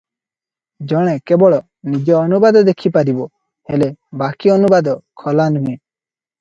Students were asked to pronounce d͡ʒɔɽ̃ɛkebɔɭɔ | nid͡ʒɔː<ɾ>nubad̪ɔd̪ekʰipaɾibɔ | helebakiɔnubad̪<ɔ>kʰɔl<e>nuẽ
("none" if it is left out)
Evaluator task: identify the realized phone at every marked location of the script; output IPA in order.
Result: none, ɔ, a

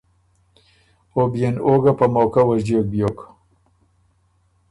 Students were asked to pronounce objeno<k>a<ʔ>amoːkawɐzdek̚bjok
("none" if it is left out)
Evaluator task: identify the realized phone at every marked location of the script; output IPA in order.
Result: ɡ, p

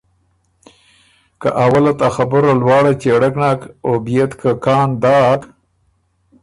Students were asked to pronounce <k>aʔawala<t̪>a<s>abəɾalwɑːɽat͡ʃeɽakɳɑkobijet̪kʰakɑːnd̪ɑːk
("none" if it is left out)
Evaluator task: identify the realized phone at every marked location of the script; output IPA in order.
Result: k, t̪, x

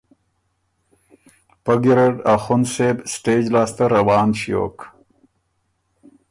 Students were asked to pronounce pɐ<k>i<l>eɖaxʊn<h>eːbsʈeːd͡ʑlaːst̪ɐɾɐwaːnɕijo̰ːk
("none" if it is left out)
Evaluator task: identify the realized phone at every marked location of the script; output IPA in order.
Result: ɡ, ɾ, s

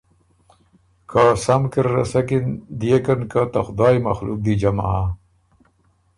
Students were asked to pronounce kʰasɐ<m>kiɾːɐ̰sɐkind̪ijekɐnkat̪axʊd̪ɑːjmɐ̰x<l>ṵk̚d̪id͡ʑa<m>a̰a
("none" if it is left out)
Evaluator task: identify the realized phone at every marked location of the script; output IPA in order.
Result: m, l, m

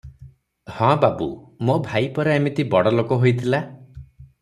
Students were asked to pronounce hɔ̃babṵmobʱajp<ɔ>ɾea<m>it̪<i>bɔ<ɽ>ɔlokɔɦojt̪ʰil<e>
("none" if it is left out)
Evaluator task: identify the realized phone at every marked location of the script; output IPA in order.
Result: ɔ, m, i, ɽ, a

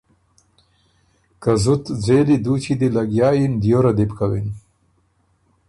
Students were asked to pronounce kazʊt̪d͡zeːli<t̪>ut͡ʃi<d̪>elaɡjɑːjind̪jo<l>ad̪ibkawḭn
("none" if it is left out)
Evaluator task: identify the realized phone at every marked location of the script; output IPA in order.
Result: d̪, d̪, ɾ

